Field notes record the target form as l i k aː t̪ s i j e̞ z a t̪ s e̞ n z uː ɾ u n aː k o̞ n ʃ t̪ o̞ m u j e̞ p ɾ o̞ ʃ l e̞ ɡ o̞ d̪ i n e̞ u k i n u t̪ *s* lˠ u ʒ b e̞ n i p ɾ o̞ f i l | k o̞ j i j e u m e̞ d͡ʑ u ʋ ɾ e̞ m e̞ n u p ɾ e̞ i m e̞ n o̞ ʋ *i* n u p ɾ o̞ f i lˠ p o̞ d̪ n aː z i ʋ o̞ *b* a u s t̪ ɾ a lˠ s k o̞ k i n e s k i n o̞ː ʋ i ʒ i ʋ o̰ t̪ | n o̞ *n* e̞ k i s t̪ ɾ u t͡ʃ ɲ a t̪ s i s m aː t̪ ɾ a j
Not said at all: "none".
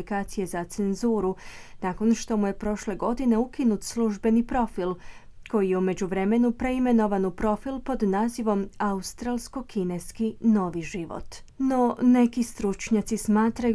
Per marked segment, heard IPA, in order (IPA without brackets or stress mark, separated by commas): s, a, m, n